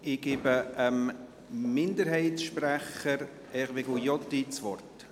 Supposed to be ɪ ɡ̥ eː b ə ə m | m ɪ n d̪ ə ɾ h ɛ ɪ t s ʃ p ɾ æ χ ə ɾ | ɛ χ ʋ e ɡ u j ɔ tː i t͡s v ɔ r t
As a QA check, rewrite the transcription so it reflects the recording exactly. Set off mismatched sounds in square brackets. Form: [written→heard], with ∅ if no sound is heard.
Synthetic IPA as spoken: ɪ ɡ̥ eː b ə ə m | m ɪ n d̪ ə ɾ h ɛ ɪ t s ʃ p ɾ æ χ ə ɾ | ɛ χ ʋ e ɡ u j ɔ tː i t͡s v ɔ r t